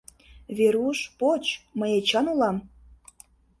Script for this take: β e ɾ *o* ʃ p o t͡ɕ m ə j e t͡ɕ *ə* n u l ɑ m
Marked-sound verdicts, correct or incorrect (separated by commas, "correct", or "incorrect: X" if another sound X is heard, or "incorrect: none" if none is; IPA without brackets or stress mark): incorrect: u, incorrect: ɑ